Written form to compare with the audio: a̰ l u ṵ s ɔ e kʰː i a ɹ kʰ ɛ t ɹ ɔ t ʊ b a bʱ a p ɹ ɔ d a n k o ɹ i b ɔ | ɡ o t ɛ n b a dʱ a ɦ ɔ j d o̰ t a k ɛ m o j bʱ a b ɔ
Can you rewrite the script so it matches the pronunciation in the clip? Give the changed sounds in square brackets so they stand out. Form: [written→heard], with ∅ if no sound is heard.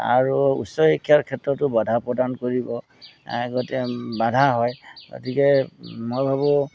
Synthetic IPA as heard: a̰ [l→ɹ] u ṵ s ɔ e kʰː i a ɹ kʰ ɛ t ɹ ɔ t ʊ b a [bʱ→dʱ] a p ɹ ɔ d a n k o ɹ i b ɔ | ɡ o t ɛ [n→∅] b a dʱ a ɦ ɔ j [d→ɡ] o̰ t [a→i] k ɛ m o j bʱ a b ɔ